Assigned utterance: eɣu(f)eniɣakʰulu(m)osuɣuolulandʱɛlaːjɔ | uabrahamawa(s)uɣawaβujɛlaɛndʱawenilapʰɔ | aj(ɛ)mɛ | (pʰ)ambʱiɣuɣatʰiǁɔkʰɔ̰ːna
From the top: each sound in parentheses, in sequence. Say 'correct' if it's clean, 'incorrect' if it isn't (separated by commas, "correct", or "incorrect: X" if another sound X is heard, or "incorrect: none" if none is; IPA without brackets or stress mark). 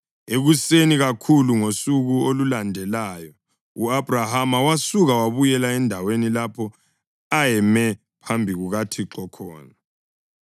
incorrect: s, incorrect: ŋ, correct, correct, correct